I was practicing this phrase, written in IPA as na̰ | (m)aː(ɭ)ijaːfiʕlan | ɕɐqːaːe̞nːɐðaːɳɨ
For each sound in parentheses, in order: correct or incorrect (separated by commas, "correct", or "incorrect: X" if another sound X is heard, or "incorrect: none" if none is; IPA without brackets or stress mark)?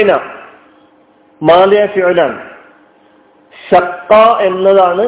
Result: correct, incorrect: l